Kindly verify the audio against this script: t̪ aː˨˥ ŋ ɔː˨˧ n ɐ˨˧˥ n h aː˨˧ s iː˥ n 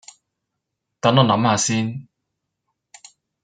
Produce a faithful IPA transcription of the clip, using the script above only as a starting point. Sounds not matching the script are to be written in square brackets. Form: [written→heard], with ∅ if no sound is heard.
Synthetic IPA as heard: t̪ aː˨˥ [ŋ→n] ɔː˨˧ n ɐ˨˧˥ [n→m] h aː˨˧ s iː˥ n

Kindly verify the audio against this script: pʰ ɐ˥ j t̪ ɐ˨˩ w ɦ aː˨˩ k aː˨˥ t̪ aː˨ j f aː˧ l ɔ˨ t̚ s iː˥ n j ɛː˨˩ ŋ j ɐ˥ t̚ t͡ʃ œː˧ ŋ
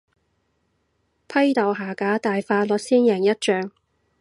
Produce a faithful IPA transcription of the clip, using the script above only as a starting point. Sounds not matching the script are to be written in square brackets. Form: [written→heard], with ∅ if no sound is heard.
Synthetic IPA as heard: pʰ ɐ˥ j t̪ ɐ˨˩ w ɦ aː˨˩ k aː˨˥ t̪ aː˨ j f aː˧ l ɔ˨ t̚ s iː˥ n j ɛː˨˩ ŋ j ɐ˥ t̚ t͡ʃ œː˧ ŋ

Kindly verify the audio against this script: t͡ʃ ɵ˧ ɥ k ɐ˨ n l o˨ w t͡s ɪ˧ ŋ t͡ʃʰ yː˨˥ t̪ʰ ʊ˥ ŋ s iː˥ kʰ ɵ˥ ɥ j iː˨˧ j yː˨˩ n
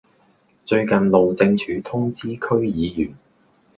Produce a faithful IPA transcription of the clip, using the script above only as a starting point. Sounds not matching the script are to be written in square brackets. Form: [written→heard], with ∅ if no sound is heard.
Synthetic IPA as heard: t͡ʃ ɵ˧ ɥ k ɐ˨ n l o˨ w t͡s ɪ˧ ŋ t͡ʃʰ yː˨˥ t̪ʰ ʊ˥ ŋ [s→t͡s] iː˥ kʰ ɵ˥ ɥ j iː˨˧ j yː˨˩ n

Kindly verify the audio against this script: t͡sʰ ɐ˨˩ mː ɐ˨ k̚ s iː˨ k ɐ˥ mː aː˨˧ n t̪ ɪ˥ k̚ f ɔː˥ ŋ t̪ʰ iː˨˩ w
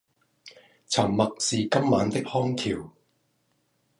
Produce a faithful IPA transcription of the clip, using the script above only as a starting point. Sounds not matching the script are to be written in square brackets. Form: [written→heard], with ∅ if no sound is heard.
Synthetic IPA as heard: t͡sʰ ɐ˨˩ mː ɐ˨ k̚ s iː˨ k ɐ˥ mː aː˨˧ n t̪ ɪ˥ k̚ [f→h] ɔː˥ ŋ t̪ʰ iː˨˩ w

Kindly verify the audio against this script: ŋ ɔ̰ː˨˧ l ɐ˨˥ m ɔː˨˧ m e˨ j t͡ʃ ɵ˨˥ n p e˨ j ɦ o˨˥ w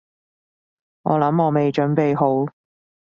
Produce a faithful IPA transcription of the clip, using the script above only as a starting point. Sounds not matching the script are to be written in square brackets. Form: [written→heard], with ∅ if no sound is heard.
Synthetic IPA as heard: ŋ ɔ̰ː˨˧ l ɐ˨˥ m ɔː˨˧ m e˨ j t͡ʃ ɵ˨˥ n p e˨ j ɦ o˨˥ w

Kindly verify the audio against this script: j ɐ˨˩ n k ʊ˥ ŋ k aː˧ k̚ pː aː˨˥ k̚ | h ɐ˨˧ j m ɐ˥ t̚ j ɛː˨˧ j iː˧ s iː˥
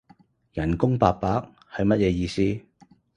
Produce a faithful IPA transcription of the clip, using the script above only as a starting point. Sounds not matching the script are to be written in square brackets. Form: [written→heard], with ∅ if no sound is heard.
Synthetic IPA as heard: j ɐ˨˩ n k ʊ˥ ŋ [k→p] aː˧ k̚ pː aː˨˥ k̚ | h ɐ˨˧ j m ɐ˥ t̚ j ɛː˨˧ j iː˧ s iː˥

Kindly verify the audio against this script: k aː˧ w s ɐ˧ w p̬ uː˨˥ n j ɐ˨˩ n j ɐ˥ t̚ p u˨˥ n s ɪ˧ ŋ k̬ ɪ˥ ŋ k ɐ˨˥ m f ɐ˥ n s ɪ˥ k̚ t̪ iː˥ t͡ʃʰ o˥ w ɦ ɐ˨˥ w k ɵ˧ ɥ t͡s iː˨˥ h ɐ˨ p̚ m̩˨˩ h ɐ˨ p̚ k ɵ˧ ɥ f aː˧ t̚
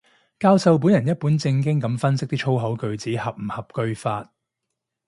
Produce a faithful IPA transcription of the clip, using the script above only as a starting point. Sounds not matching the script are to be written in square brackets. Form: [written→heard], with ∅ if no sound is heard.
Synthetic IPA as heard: k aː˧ w s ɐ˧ w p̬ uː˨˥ n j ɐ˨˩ n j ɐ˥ t̚ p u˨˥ n [s→t͡s] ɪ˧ ŋ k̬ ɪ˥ ŋ k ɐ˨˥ m f ɐ˥ n s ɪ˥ k̚ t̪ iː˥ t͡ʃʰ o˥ w ɦ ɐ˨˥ w k ɵ˧ ɥ t͡s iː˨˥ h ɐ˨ p̚ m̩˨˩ h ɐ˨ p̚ k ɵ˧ ɥ f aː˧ t̚

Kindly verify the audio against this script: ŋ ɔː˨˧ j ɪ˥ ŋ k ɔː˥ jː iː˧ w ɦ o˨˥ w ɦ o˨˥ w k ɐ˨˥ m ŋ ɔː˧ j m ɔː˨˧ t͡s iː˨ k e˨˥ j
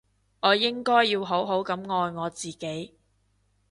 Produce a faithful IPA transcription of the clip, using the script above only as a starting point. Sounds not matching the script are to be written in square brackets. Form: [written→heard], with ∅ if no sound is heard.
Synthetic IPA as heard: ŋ ɔː˨˧ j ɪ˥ ŋ k ɔː˥ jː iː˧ w ɦ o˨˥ w ɦ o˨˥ w k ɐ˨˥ m ŋ ɔː˧ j [m→ŋ] ɔː˨˧ t͡s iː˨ k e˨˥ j

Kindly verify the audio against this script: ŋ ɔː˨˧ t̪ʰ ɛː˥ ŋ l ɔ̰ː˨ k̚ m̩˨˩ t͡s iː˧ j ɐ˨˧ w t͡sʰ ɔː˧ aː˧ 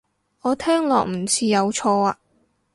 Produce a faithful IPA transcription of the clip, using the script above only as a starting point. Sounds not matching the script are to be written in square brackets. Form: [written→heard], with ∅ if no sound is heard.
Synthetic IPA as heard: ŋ ɔː˨˧ t̪ʰ ɛː˥ ŋ l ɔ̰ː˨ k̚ m̩˨˩ [t͡s→t͡sʰ] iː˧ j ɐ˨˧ w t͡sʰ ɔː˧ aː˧

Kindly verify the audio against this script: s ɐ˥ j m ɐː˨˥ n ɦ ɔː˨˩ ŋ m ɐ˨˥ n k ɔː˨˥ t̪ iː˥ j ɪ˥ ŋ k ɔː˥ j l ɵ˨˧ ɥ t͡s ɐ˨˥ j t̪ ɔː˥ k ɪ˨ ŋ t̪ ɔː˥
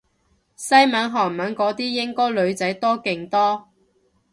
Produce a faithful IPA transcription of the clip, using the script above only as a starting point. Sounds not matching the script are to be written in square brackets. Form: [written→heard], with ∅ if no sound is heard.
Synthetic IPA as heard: s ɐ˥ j m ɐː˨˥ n ɦ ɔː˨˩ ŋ m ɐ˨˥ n k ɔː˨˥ t̪ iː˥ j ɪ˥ ŋ k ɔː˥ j l ɵ˨˧ ɥ t͡s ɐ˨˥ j t̪ ɔː˥ k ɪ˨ ŋ t̪ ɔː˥

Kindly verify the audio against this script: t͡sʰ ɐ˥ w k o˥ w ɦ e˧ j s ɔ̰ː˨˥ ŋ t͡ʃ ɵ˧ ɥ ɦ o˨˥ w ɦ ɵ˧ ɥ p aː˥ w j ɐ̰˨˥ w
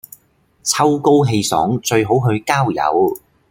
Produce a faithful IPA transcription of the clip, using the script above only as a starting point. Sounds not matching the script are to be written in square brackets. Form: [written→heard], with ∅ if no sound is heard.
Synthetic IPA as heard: t͡sʰ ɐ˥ w k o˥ w ɦ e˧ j s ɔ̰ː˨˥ ŋ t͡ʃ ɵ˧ ɥ ɦ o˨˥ w ɦ ɵ˧ ɥ [p→k] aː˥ w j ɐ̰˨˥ w

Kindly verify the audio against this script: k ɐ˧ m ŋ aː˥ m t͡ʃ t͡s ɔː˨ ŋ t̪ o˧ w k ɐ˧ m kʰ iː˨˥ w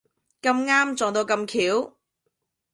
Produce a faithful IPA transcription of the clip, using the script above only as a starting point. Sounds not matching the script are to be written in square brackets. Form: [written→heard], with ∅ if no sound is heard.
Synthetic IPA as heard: k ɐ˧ m ŋ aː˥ m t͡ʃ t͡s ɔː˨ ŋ t̪ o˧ w k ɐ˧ m kʰ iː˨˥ w

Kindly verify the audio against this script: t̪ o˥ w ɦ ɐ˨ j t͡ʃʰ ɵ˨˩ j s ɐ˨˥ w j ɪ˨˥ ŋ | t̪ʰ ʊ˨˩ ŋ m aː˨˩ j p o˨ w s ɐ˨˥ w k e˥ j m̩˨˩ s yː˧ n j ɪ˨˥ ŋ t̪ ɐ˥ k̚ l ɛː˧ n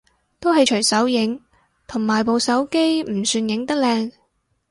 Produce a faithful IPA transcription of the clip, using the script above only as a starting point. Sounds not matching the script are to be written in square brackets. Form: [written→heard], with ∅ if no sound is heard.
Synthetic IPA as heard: t̪ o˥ w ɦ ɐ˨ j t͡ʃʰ ɵ˨˩ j s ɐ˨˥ w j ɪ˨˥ ŋ | t̪ʰ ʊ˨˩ ŋ m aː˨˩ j p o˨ w s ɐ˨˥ w k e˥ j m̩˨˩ s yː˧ n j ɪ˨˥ ŋ t̪ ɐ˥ k̚ l ɛː˧ [n→ŋ]

